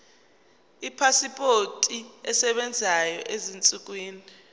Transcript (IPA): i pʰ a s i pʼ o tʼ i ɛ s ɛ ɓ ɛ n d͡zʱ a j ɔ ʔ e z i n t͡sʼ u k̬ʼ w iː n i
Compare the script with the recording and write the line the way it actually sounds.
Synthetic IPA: i pʰ a s i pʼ o tʼ i ɛ s ɛ ɓ ɛ n d͡zʱ a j ɔ ʔ e z i n t͡sʼ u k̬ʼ w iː n i